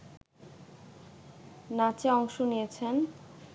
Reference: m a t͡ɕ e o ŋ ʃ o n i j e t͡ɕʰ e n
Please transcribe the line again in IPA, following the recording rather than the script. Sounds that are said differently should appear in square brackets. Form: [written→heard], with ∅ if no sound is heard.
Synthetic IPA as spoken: [m→n] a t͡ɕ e [o→ɔ] ŋ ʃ o n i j e t͡ɕʰ e n